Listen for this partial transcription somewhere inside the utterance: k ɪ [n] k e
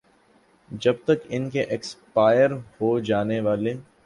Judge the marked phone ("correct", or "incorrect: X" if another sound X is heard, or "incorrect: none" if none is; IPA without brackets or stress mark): correct